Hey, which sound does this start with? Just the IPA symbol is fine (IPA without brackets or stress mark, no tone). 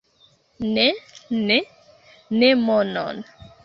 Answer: n